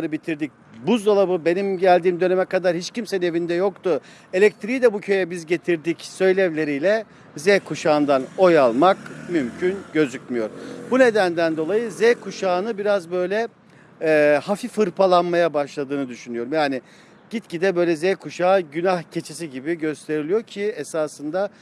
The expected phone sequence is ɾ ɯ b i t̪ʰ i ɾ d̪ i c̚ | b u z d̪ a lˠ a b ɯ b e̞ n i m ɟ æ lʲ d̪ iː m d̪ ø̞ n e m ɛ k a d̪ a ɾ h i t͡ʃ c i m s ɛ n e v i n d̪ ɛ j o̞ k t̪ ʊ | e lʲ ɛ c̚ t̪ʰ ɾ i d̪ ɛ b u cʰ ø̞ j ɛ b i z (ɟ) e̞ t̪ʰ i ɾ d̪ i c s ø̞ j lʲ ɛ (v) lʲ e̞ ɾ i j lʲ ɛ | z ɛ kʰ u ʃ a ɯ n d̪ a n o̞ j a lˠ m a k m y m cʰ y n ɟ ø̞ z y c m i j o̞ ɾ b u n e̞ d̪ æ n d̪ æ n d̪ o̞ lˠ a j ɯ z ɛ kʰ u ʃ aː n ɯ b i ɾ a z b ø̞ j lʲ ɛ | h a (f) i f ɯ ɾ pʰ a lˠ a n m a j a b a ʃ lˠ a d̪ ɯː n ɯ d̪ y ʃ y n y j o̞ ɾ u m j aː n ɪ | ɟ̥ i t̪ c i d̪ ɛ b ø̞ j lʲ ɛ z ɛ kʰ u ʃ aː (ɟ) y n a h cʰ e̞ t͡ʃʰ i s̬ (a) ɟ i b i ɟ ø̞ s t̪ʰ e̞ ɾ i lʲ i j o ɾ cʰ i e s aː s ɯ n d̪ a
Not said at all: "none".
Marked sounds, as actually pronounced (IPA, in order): ɟ, v, f, ɟ, i

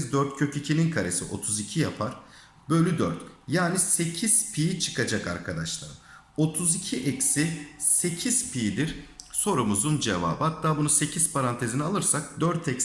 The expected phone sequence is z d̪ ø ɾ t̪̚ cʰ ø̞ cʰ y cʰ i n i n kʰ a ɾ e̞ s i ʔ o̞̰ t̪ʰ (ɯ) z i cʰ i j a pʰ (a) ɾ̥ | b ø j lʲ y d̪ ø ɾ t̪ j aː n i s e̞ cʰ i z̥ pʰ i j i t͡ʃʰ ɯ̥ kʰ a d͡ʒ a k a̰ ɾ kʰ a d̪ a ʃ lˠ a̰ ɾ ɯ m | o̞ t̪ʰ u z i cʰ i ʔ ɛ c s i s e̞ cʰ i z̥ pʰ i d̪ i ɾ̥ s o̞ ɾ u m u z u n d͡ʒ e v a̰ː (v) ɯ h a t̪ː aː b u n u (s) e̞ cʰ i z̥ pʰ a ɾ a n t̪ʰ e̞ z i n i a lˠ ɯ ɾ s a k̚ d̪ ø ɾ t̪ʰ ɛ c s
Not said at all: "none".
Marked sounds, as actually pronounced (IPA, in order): u, a, b, s

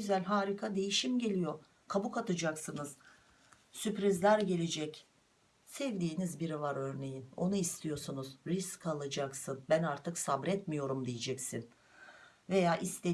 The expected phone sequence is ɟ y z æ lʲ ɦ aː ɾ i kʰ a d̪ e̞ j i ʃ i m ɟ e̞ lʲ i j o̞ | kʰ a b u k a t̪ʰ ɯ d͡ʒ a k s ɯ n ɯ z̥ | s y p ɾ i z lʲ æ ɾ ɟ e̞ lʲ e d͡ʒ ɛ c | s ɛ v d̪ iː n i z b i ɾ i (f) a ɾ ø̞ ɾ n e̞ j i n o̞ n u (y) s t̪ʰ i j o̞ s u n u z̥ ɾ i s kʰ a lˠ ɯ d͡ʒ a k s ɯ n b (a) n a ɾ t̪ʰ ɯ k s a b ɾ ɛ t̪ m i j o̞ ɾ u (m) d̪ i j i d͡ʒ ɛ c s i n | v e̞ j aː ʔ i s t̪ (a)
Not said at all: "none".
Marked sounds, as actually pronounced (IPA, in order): v, i, æ, m, e

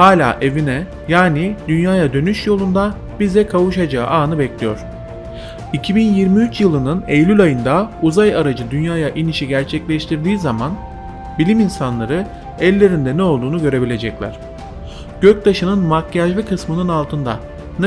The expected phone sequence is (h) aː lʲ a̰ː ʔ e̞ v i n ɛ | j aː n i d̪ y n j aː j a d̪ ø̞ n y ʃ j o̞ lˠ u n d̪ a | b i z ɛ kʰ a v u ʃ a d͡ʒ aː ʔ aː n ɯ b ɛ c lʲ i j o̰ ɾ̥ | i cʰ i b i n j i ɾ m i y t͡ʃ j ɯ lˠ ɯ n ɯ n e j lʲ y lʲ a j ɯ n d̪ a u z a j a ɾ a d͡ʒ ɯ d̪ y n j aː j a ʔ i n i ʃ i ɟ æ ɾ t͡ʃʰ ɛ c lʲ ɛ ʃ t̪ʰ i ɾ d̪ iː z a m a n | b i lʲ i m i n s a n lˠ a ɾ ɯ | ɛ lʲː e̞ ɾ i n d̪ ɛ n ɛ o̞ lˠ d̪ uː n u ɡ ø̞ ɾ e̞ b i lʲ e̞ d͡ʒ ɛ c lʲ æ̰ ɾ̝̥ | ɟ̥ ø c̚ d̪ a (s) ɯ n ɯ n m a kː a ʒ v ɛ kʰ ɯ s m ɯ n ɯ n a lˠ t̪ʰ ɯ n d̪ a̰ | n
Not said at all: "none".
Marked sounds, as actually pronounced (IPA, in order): h, ʃ

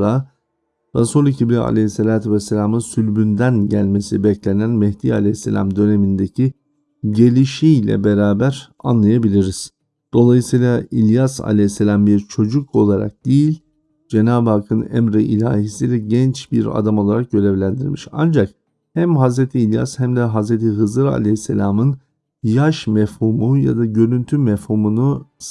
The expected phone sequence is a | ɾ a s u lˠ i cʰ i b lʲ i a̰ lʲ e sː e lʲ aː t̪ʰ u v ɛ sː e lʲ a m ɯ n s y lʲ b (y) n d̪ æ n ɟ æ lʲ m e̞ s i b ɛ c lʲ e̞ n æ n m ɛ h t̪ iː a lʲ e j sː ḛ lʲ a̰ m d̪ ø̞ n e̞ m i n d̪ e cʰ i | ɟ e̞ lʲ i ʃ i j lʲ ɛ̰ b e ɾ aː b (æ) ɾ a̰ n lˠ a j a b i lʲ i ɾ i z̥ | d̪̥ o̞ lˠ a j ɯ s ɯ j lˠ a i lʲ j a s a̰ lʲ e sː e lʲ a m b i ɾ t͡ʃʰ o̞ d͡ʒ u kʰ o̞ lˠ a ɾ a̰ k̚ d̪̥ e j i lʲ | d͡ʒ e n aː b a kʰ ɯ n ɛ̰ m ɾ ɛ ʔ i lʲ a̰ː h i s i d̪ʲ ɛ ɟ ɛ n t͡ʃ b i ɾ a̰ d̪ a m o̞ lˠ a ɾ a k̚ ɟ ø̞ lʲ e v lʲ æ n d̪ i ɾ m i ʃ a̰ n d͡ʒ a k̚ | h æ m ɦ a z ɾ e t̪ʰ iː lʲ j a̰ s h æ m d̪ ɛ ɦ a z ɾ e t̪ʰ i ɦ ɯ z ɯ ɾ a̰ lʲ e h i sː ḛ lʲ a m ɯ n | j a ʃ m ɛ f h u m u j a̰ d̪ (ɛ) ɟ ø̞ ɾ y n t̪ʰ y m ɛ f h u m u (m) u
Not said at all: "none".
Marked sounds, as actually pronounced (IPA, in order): y, æ, a, n

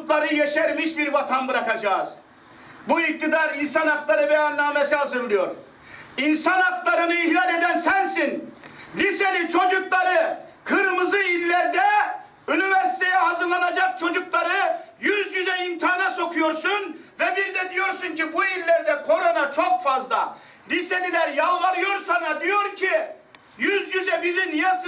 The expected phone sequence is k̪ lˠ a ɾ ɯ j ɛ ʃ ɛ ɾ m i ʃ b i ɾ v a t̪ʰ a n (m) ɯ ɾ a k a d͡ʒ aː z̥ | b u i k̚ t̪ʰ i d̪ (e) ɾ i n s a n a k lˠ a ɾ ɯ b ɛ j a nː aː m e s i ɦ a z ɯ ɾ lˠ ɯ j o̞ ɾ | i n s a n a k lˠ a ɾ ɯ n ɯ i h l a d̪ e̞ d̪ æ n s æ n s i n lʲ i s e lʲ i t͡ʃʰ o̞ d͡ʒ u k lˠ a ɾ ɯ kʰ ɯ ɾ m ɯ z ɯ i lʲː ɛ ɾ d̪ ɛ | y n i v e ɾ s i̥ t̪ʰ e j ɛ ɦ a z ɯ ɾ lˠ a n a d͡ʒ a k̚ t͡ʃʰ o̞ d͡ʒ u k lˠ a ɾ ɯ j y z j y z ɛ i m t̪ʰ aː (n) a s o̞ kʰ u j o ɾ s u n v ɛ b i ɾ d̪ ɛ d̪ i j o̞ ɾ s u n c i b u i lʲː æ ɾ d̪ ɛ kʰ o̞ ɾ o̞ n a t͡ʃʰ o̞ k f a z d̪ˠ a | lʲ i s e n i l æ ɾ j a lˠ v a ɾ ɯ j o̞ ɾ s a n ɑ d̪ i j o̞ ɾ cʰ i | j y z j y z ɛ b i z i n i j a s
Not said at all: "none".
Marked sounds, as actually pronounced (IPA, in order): b, a, n

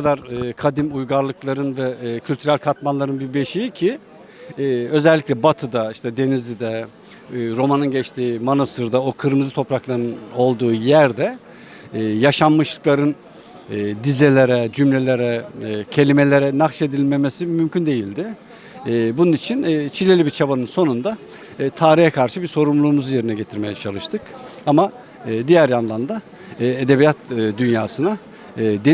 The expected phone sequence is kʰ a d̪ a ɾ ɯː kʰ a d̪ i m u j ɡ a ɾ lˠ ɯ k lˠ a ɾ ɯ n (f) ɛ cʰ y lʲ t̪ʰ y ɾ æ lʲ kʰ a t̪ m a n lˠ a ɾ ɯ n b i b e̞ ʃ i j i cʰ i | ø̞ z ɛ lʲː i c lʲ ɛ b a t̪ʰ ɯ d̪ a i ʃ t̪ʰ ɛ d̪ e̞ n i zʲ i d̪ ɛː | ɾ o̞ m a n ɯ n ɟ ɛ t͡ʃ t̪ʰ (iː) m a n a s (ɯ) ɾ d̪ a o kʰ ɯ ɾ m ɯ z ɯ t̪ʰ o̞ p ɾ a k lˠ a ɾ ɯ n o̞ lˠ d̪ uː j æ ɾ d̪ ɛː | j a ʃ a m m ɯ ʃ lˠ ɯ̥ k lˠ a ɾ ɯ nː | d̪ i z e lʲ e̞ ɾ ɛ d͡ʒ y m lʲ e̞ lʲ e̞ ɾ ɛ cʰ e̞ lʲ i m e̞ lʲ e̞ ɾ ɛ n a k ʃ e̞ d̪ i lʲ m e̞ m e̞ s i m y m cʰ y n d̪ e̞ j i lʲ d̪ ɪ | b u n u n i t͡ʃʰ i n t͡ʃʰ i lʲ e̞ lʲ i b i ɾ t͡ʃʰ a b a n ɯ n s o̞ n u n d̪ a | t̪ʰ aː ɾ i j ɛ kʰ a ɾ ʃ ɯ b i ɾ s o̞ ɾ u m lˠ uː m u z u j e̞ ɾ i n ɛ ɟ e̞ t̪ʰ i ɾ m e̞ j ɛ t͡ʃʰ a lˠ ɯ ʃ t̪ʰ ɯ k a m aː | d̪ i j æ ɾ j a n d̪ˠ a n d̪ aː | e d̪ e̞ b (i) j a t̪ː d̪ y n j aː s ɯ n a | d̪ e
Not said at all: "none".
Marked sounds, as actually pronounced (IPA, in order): v, iː, ɯ, i

